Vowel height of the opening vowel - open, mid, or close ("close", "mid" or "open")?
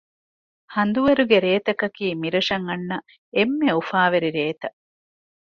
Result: open